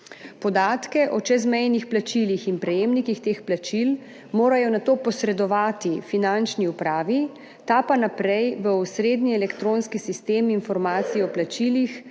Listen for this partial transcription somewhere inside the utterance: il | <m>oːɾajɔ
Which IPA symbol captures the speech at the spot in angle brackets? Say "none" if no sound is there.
m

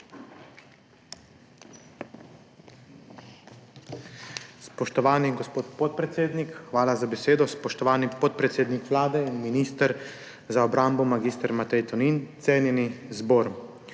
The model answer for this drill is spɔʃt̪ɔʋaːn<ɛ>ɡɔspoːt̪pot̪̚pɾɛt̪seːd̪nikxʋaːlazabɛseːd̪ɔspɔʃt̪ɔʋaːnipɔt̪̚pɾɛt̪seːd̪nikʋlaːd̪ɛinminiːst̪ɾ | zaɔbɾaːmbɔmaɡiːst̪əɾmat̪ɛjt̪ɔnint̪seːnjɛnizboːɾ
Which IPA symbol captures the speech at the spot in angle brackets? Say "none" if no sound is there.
i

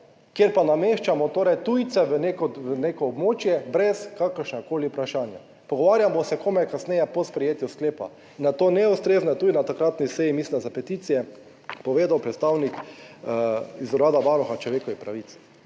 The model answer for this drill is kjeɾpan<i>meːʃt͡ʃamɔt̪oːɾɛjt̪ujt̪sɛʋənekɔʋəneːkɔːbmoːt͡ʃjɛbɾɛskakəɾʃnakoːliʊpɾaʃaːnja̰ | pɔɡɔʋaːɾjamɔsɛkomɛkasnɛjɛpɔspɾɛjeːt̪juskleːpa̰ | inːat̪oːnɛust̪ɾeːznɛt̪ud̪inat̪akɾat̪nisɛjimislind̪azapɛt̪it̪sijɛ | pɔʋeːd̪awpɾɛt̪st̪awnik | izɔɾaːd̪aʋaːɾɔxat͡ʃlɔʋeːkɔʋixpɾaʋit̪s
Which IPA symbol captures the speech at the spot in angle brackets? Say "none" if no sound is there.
a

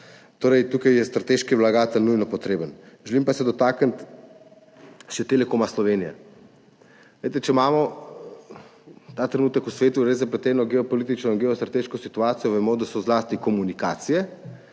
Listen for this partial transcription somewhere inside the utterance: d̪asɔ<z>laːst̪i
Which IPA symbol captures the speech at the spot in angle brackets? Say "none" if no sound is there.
z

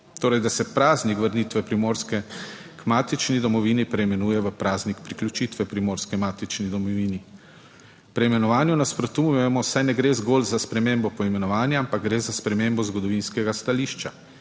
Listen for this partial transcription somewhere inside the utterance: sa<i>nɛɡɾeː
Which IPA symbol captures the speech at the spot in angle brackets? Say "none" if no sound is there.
j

